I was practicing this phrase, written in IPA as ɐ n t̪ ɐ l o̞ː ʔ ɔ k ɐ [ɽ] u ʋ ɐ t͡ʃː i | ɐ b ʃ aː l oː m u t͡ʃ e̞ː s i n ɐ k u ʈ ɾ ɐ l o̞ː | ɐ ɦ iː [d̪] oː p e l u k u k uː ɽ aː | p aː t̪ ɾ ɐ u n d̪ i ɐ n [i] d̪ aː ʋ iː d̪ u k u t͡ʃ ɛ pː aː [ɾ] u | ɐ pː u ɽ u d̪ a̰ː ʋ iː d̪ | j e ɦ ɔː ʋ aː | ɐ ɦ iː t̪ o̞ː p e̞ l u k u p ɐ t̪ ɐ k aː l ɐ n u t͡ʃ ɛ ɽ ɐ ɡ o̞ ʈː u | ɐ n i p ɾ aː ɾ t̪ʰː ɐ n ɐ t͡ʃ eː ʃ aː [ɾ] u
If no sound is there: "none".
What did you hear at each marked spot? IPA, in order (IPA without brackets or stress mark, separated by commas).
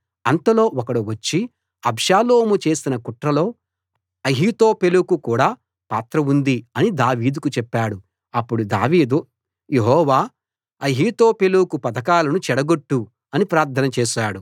ɽ, t̪, i, ɽ, ɽ